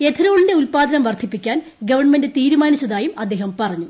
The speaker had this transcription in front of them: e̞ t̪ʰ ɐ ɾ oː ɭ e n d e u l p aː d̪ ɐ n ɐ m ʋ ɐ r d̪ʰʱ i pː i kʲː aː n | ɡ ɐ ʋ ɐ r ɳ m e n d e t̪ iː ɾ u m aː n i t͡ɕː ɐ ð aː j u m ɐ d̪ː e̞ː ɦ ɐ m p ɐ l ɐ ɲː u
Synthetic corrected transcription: e̞ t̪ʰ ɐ ɾ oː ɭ i n d e u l p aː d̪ ɐ n ɐ m ʋ ɐ r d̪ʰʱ i pː i kʲː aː n | ɡ ɐ ʋ ɐ r ɳ m e n d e t̪ iː ɾ u m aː n i t͡ɕː ɐ ð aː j u m ɐ d̪ː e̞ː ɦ ɐ m p ɐ r ɐ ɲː u

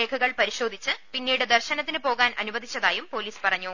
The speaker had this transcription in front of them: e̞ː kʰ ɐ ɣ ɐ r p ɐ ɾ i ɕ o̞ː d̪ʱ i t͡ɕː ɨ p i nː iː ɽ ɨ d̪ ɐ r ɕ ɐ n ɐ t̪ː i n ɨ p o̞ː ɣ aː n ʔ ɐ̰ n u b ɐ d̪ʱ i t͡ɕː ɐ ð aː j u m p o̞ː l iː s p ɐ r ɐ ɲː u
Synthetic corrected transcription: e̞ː kʰ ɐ ɣ ɐ ɭ p ɐ ɾ i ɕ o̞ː d̪ʱ i t͡ɕː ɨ p i nː iː ɽ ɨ d̪ ɐ r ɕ ɐ n ɐ t̪ː i n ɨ p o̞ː ɣ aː n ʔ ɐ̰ n u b ɐ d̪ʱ i t͡ɕː ɐ ð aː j u m p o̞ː l iː s p ɐ r ɐ ɲː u

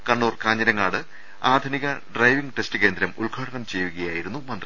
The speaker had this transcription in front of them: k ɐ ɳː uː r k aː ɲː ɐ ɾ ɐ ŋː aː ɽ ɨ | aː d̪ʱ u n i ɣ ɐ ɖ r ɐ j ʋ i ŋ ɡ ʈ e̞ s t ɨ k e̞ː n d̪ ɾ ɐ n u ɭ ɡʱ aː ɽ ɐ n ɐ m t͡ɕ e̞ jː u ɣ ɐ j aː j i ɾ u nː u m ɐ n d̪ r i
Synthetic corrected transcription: k ɐ ɳː uː r k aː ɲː ɐ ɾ ɐ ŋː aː ɽ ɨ | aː d̪ʱ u n i ɣ ɐ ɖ r ɐ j ʋ i ŋ ɡ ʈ e̞ s t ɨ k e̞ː n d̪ ɾ ɐ m u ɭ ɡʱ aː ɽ ɐ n ɐ m t͡ɕ e̞ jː u ɣ ɐ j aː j i ɾ u nː u m ɐ n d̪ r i

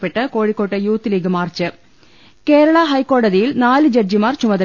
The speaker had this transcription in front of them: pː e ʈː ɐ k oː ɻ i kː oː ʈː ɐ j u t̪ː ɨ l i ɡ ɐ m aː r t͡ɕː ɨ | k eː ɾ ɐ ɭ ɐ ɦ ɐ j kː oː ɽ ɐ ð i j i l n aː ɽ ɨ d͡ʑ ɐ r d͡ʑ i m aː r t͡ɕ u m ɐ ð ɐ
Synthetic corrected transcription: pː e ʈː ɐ k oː ɻ i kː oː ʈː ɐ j uː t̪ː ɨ l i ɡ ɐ m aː r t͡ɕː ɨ | k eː ɾ ɐ ɭ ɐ ɦ ɐ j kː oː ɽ ɐ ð i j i l n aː l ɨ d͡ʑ ɐ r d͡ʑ i m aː r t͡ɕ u m ɐ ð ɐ

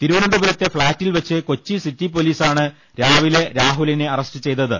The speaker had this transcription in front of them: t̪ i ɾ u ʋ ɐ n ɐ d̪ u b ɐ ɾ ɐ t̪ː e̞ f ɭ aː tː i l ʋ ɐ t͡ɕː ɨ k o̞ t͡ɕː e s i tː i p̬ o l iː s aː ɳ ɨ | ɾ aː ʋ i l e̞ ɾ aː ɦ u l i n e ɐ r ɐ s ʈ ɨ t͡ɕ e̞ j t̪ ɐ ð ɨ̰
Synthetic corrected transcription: t̪ i ɾ u ʋ ɐ n ɐ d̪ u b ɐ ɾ ɐ t̪ː e̞ f ɭ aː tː i l ʋ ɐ t͡ɕː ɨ k o̞ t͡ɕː i s i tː i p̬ o l iː s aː ɳ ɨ | ɾ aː ʋ i l e̞ ɾ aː ɦ u l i n e ɐ r ɐ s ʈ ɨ t͡ɕ e̞ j t̪ ɐ ð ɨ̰

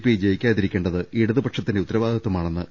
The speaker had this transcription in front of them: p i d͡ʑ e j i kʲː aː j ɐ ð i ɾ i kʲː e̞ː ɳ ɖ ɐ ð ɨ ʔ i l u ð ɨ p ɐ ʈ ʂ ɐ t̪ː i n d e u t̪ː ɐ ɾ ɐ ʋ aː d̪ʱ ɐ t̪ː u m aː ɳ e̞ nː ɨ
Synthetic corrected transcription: p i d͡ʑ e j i kʲː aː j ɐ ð i ɾ i kʲː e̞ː ɳ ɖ ɐ ð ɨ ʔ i ɽ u ð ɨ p ɐ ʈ ʂ ɐ t̪ː i n d e u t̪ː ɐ ɾ ɐ ʋ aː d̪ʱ ɐ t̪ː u m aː ɳ e̞ nː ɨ

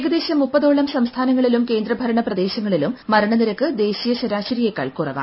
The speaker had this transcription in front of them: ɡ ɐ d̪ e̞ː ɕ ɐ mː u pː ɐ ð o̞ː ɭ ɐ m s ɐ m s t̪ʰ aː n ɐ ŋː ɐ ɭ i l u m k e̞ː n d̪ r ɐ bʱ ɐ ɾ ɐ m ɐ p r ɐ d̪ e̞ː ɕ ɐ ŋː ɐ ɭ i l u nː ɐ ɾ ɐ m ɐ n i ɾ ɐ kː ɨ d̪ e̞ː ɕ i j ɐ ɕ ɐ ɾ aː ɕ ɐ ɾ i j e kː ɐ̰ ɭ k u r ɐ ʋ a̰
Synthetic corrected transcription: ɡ ɐ d̪ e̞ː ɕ ɐ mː u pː ɐ ð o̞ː ɭ ɐ m s ɐ m s t̪ʰ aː n ɐ ŋː ɐ ɭ i l u m k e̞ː n d̪ r ɐ bʱ ɐ ɾ ɐ ɳ ɐ p r ɐ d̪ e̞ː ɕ ɐ ŋː ɐ ɭ i l u mː ɐ ɾ ɐ ɳ ɐ n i ɾ ɐ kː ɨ d̪ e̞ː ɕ i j ɐ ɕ ɐ ɾ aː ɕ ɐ ɾ i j e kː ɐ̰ ɭ k u r ɐ ʋ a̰

